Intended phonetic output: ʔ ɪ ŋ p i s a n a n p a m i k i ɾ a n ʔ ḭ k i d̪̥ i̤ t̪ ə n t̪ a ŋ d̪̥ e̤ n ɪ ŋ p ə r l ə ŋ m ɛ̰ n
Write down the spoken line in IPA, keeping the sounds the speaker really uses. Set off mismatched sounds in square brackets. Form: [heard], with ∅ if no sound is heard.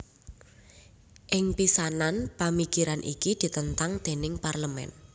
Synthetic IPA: ʔ ɪ ŋ p i s a n a n p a m i k i ɾ a n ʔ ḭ k i d̪̥ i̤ t̪ ə n t̪ a ŋ d̪̥ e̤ n ɪ ŋ p [a] r l ə [∅] m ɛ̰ n

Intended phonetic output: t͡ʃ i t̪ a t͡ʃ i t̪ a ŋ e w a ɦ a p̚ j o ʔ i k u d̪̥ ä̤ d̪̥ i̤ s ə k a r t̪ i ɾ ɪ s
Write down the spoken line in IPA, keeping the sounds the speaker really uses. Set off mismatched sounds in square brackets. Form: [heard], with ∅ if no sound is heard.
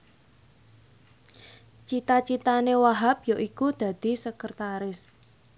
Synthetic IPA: t͡ʃ i t̪ a t͡ʃ i t̪ a [n] e w a ɦ a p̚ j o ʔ i k u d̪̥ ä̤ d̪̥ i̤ s ə k [ə] r t̪ [a] ɾ ɪ s

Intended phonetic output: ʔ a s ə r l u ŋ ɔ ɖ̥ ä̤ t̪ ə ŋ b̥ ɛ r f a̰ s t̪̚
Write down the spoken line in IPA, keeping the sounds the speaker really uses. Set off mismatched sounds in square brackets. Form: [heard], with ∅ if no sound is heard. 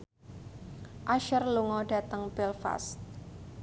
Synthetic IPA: ʔ a [ʃ] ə r l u ŋ ɔ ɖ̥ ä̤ t̪ ə ŋ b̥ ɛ [l] f a̰ s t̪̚

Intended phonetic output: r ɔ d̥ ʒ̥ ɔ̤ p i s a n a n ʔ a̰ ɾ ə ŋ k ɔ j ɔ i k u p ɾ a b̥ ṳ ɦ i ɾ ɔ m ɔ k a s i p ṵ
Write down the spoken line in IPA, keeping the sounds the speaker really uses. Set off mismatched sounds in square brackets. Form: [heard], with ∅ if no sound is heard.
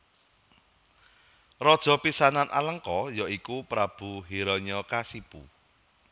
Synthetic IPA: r ɔ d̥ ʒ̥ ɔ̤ p i s a n a n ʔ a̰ [l] ə ŋ k ɔ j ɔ i k u p ɾ a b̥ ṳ ɦ i ɾ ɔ [ɲ] ɔ k a s i p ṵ

